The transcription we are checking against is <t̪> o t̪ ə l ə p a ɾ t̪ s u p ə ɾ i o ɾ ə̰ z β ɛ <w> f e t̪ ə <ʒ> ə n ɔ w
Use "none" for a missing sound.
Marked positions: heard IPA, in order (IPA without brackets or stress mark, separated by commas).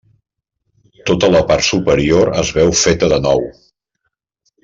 t̪, w, ð